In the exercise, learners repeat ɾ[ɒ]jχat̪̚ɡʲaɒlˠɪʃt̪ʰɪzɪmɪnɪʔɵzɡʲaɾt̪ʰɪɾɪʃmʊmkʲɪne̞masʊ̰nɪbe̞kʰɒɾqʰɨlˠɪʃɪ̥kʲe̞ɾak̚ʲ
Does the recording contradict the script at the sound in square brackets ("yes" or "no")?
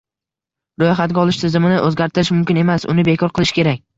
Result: yes